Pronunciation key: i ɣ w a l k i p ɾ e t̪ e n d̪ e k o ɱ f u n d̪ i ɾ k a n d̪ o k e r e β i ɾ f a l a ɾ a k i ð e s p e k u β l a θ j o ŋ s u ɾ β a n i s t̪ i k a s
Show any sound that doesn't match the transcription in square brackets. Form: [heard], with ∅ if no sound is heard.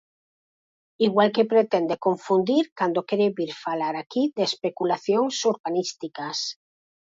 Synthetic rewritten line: i ɣ w a l k [e] p ɾ e t̪ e n d̪ e k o ɱ f u n d̪ i ɾ k a n d̪ o k e [ɾ] e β i ɾ f a l a ɾ a k i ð e s p e k u [∅] l a θ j o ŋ s u ɾ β a n i s t̪ i k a s

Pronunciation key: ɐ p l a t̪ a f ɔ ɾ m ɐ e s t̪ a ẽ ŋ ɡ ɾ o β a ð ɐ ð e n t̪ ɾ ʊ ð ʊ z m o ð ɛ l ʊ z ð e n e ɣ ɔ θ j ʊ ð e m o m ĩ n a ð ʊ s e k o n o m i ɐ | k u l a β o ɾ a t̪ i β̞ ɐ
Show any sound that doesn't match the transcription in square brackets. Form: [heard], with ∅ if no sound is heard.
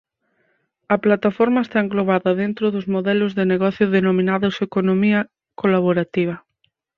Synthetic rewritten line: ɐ p l a t̪ a f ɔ ɾ m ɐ e s t̪ a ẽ ŋ ɡ [l] o β a ð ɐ ð e n t̪ ɾ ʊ ð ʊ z m o ð ɛ l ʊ z ð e n e ɣ ɔ θ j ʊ ð e [n] o m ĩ n a ð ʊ s e k o n o m i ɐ | k [o] l a β o ɾ a t̪ i β̞ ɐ

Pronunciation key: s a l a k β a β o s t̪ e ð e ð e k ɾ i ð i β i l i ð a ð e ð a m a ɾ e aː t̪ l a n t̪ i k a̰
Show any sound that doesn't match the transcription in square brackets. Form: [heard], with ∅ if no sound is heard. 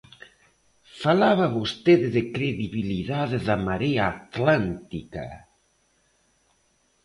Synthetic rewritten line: [f] a l a [∅] β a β o s t̪ e ð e ð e k ɾ [e] ð i β i l i ð a ð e ð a m a ɾ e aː t̪ l a n t̪ i k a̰

